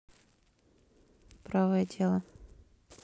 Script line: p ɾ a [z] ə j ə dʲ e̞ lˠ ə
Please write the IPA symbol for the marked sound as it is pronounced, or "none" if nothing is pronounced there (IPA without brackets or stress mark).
v